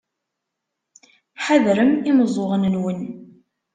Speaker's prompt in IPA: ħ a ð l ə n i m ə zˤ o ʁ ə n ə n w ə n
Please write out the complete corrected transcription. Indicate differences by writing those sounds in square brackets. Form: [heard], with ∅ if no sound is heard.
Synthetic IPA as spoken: ħ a ð [ɾ] ə [m] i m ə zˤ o ʁ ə n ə n w ə n